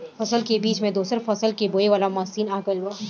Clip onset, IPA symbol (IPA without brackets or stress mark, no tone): f